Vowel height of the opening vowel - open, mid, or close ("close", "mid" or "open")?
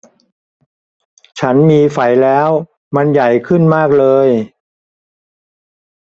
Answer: open